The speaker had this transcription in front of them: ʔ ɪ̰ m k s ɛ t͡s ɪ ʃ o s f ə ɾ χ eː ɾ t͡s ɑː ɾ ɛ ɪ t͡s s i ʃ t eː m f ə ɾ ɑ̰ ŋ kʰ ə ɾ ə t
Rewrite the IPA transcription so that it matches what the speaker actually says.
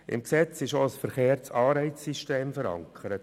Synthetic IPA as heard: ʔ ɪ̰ m k s ɛ t͡s ɪ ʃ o s f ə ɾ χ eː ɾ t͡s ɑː ɾ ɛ ɪ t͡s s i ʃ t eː m f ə ɾ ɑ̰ ŋ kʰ ə ɾ ə t

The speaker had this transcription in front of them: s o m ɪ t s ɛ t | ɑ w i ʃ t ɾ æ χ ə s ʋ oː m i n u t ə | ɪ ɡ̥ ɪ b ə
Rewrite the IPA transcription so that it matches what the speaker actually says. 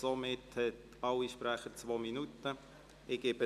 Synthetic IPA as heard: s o m ɪ t h ɛ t | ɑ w i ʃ p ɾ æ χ ə t͡s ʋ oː m i n u t ə | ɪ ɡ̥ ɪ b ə

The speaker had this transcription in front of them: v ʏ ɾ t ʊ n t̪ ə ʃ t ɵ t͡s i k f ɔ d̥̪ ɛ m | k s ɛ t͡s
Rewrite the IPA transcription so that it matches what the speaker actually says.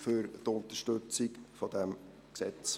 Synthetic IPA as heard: f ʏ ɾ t ʊ n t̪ ə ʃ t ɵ t͡s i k f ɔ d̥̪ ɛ m | k s ɛ t͡s

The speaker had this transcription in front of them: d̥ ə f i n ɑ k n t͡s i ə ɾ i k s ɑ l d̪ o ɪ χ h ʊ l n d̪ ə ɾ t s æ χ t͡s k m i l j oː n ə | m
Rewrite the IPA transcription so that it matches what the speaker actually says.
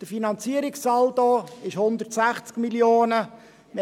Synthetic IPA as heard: d̥ ə f i n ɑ n t͡s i ə ɾ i k s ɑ l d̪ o ɪ ʃ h ʊ n d̪ ə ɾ t s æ χ t͡s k m i l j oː n ə | m

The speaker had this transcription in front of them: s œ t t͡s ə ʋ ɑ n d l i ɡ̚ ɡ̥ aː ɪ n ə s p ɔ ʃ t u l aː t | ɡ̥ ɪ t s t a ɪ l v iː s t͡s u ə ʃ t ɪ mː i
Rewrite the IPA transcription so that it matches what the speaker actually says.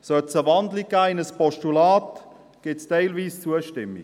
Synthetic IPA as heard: s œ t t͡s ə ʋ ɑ n d l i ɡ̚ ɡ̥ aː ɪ n ə s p ɔ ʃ t u l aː t | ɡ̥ ɪ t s t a ɪ l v iː s t͡s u ə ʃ t ɪ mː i

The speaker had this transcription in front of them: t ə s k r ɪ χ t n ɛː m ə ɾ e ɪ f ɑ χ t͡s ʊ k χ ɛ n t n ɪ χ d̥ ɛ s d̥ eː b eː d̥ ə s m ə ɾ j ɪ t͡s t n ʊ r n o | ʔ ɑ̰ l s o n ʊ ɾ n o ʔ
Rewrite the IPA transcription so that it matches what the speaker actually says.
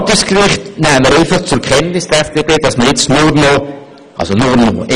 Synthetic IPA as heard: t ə s k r ɪ χ t n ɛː m ə ɾ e ɪ f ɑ χ t͡s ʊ k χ ɛ n t n ɪ s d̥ ɛ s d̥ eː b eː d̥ ɑ s m ə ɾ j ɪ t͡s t n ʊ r n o | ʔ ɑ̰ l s o n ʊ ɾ n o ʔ

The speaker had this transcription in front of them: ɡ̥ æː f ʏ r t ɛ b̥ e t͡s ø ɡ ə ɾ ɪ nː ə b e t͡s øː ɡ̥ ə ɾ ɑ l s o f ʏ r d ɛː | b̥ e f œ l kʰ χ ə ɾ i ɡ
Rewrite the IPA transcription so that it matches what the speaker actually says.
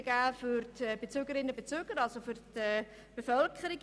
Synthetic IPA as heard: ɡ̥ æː f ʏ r t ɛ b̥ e t͡s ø ɡ ə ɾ ɪ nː ə b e t͡s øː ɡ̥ ə ɾ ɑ l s o f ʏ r t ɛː | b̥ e f œ l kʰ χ ə ɾ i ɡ

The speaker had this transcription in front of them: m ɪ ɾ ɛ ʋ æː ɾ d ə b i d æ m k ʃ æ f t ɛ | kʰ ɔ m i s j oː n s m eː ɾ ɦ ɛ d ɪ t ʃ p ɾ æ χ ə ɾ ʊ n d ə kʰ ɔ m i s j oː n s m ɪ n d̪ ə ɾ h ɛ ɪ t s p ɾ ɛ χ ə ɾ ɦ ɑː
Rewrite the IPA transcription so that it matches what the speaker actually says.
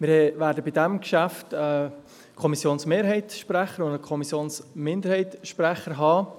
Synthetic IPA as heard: m ɪ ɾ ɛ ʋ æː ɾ d ə b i d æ m k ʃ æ f t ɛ | kʰ ɔ m i s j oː n s m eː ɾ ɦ ɛ ɪ t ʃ p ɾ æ χ ə ɾ ʊ n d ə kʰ ɔ m i s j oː n s m ɪ n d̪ ə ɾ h ɛ ɪ t ʃ p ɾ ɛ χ ə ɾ ɦ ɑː

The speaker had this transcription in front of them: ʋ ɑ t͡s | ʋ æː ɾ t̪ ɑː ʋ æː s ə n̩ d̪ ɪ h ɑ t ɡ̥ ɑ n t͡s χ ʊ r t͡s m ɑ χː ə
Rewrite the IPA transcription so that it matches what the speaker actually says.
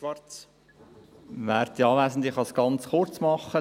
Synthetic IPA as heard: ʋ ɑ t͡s | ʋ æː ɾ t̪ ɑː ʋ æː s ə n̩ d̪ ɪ χ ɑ s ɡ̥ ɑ n t͡s χ ʊ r t͡s m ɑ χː ə

